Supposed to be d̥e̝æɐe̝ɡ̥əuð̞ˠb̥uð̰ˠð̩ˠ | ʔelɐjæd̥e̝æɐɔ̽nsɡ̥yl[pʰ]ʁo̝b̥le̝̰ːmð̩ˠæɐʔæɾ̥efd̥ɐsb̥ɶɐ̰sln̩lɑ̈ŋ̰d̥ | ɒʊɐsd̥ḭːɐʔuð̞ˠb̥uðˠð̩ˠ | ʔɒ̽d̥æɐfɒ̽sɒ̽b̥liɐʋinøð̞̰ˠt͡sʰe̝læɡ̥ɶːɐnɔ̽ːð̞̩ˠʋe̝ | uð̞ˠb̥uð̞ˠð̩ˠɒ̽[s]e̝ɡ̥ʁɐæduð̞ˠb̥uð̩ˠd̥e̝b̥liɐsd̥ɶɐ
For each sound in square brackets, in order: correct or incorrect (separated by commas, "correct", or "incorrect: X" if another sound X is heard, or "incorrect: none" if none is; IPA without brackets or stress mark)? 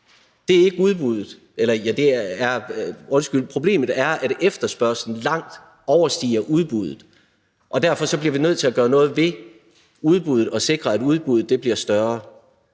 correct, correct